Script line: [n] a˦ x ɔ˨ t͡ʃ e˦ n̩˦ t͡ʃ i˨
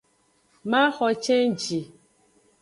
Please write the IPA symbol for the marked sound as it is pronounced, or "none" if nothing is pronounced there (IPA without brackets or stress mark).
m